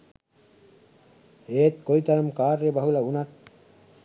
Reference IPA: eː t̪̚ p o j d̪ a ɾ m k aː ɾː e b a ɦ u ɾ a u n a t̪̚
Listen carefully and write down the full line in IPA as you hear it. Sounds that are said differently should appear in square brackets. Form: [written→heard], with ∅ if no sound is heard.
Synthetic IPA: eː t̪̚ [p→k] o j [d̪→t̪] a ɾ m k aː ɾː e b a ɦ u [ɾ→l] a u n a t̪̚